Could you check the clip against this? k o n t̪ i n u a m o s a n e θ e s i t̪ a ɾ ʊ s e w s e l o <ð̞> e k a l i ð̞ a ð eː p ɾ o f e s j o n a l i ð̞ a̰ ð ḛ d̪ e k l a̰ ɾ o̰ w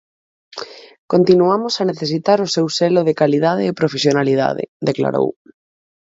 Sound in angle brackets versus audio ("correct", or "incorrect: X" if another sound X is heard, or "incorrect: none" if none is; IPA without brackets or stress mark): correct